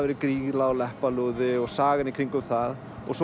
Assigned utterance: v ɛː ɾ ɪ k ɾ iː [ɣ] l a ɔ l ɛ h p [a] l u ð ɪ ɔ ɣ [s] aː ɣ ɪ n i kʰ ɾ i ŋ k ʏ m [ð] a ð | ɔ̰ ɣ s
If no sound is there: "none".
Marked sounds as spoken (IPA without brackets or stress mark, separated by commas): ɣ, a, s, θ